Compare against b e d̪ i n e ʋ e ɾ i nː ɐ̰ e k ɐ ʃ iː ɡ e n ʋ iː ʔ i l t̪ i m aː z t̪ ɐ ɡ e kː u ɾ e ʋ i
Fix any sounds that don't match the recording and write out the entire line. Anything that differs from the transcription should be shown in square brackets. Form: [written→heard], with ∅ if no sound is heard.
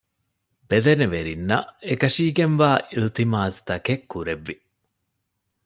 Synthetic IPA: b e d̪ [i→e] n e ʋ e ɾ i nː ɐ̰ e k ɐ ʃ iː ɡ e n ʋ [iː→aː] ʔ i l t̪ i m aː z t̪ ɐ [ɡ→k] e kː u ɾ e [ʋ→ʋː] i